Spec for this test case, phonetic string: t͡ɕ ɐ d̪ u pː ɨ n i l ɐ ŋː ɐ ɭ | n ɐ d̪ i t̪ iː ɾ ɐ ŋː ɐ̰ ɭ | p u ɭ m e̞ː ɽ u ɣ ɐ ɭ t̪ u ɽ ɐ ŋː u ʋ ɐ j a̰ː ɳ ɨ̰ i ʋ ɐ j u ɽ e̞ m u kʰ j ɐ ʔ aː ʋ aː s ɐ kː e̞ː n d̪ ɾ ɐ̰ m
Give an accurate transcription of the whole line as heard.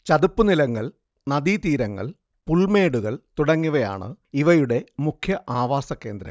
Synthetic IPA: t͡ɕ ɐ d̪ u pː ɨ n i l ɐ ŋː ɐ ɭ | n ɐ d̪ i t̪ iː ɾ ɐ ŋː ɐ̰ ɭ | p u ɭ m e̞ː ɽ u ɣ ɐ ɭ t̪ u ɽ ɐ ŋː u ʋ ɐ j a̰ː ɳ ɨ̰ i ʋ ɐ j u ɽ e̞ m u kʰ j ɐ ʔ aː ʋ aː s ɐ kː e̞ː n d̪ ɾ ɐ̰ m